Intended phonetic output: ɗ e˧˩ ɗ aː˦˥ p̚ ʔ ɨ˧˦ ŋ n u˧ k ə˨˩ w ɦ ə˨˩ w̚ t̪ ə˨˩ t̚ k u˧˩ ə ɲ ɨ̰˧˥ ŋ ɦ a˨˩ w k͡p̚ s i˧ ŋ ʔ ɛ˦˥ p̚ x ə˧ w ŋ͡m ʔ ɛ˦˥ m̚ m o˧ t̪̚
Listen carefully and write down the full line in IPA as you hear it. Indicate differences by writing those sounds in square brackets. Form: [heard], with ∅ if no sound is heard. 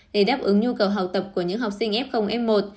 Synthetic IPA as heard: ɗ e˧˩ ɗ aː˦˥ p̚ ʔ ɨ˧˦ ŋ [ɲ] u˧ k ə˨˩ w ɦ [a˨˩] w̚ t̪ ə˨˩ [p̚] k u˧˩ ə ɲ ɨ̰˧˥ ŋ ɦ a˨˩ w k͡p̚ s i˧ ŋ ʔ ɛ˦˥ p̚ x ə˧ w ŋ͡m ʔ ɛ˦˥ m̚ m [o˨˩] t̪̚